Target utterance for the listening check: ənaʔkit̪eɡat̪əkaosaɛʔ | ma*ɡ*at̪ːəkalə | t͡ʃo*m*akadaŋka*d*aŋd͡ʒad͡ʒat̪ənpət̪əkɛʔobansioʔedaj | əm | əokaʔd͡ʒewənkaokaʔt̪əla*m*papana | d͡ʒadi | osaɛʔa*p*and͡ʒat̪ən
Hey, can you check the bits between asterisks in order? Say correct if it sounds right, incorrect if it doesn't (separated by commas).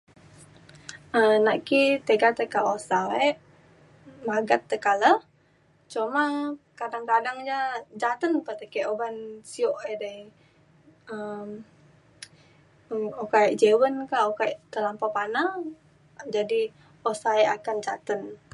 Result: correct, correct, correct, correct, incorrect